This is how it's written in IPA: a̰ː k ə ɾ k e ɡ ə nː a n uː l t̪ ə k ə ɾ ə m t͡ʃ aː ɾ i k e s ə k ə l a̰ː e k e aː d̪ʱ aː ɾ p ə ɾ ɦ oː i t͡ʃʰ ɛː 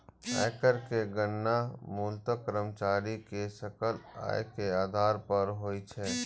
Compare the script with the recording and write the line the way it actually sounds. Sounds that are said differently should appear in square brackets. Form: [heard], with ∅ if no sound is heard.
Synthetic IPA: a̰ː k ə ɾ k e ɡ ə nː a [m] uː l t̪ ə k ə ɾ ə m t͡ʃ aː ɾ i k e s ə k ə l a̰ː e k e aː d̪ʱ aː ɾ p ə ɾ ɦ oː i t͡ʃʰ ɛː